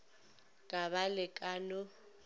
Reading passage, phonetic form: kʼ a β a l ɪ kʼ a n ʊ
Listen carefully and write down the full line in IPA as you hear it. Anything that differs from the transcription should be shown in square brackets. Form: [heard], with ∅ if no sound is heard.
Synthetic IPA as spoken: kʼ a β a l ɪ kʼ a n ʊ